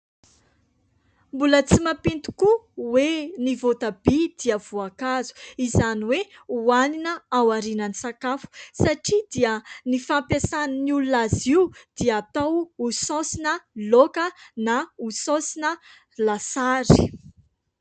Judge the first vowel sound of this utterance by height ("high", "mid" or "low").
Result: high